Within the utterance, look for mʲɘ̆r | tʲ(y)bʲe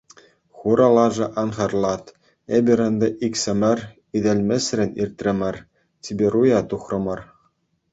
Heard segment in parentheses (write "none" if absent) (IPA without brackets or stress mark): i